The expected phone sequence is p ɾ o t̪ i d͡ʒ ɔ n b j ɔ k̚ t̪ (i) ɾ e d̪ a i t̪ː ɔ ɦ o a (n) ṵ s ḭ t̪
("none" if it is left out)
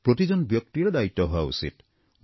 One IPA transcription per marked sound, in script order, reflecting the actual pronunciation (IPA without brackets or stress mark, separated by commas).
i, none